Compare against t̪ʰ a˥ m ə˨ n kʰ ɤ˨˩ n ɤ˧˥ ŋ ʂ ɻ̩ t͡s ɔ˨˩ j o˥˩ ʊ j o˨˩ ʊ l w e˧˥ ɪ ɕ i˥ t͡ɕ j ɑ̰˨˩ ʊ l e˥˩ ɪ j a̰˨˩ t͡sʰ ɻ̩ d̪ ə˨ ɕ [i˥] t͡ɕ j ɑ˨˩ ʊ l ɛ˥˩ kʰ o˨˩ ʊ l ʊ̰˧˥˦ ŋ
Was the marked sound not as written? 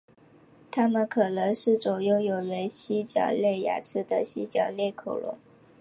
no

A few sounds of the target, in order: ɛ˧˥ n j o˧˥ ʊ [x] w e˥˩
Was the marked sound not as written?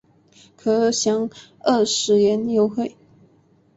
no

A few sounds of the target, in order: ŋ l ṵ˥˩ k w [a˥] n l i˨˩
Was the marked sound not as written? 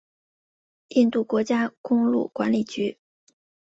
yes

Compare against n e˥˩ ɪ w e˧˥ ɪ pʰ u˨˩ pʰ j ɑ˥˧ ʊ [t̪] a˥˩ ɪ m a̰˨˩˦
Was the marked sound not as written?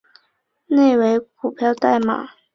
no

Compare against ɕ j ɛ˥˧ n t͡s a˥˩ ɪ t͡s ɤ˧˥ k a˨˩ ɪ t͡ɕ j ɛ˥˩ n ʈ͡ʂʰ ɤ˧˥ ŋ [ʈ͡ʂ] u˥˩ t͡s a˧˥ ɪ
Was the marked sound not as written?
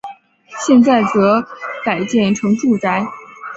no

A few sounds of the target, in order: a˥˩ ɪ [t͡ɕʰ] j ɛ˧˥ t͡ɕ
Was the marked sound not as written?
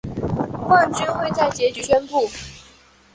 yes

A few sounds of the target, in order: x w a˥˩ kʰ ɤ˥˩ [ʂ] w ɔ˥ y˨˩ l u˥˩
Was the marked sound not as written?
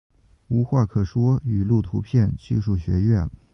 no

